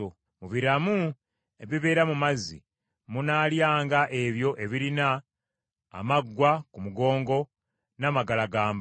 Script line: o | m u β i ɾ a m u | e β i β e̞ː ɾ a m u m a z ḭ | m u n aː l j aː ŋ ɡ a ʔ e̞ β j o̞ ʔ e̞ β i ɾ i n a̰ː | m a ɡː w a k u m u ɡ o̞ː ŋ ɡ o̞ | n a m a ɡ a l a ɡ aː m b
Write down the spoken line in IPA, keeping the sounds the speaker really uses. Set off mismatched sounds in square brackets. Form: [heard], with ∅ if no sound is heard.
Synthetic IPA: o | m u β i ɾ a m u | e β i β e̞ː ɾ a m u m a z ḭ | m u n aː l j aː ŋ ɡ a ʔ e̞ β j o̞ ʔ e̞ β i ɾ i n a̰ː | m a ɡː w a k u m u ɡ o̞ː ŋ ɡ o̞ | n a m a ɡ a l a ɡ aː m b